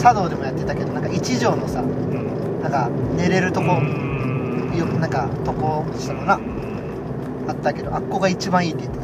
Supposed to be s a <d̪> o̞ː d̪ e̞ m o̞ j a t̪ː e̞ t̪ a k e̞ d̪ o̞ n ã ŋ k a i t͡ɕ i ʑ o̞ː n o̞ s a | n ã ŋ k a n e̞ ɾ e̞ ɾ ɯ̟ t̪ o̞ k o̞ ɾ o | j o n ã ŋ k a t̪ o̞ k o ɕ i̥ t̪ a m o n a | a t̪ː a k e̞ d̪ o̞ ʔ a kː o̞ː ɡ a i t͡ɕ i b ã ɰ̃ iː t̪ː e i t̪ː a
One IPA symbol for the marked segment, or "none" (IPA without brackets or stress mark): d̪